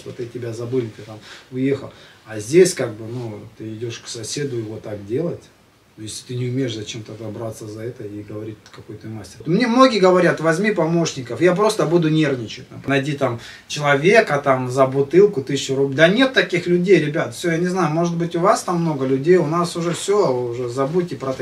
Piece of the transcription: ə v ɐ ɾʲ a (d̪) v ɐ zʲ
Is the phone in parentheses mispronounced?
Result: yes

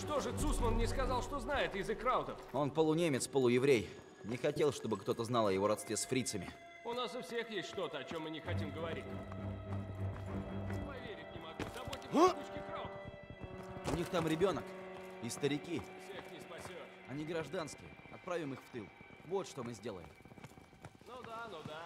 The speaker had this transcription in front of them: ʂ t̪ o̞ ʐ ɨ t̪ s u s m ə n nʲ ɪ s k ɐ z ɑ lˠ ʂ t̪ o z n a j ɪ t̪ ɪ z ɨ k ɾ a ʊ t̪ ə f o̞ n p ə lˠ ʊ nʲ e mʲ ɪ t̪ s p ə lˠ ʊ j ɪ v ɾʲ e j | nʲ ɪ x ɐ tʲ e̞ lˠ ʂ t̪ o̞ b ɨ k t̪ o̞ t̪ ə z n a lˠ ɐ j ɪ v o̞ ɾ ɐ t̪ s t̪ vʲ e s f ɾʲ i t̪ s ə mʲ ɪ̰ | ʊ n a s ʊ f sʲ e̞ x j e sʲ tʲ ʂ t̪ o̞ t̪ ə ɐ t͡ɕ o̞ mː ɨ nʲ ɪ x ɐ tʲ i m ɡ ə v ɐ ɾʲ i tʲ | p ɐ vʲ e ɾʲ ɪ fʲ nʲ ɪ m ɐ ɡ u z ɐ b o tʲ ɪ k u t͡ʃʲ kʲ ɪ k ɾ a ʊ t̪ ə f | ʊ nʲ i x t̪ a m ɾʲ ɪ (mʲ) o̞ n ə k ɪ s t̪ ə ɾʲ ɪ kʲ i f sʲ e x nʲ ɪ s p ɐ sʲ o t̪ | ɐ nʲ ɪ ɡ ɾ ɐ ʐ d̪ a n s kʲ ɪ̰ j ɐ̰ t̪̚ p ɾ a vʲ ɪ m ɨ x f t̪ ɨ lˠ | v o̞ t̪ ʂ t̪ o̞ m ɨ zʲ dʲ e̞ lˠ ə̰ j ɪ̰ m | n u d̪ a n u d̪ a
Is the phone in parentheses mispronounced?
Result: yes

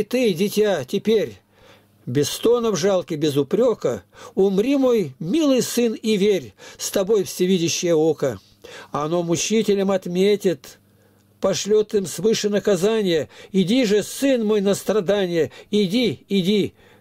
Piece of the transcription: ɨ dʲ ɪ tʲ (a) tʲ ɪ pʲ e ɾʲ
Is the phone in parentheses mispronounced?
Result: no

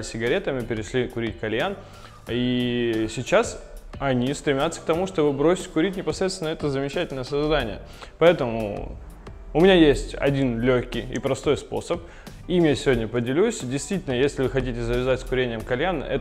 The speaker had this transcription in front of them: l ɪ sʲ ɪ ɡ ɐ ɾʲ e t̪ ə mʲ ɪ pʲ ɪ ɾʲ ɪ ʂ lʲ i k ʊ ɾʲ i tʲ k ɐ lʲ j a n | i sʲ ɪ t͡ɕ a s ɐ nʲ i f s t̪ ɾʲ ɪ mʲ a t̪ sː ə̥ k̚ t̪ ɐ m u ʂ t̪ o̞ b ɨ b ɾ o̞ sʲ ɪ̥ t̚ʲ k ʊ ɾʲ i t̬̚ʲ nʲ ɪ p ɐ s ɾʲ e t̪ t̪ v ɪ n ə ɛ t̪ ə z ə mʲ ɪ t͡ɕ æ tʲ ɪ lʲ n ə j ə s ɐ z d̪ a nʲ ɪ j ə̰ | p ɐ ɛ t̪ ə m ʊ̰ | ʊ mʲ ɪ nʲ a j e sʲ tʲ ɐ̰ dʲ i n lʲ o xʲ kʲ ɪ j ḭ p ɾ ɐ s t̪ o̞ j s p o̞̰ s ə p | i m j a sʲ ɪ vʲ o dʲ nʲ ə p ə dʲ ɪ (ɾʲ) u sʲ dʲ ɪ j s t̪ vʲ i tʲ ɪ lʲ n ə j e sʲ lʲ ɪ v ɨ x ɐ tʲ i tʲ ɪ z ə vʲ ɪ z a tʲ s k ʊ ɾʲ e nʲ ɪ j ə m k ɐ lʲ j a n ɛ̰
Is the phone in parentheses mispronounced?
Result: yes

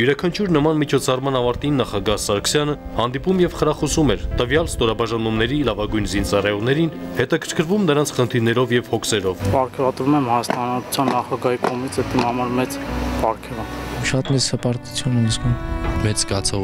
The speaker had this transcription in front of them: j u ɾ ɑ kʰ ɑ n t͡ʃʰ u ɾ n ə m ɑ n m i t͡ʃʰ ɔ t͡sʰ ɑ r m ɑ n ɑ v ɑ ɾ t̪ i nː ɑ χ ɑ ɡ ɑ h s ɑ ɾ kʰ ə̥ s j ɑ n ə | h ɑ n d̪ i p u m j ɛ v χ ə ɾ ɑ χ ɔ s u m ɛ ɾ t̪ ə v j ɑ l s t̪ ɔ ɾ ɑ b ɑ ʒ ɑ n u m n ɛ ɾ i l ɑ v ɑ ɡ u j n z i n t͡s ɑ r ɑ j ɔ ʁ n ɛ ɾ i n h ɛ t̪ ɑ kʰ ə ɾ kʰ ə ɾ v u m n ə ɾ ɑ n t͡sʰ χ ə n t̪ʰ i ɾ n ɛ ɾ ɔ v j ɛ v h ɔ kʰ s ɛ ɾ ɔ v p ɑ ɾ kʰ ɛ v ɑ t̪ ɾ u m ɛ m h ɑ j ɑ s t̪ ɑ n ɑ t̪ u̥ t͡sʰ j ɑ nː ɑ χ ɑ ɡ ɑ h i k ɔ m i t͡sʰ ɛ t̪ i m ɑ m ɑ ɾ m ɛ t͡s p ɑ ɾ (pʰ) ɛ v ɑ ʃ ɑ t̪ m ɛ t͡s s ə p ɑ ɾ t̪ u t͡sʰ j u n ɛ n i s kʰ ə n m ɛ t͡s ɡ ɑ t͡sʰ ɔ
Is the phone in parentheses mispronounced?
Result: yes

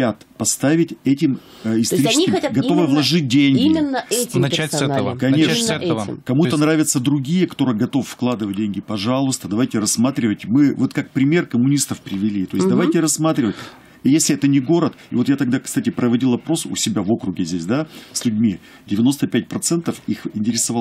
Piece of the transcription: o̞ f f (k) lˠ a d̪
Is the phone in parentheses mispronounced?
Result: no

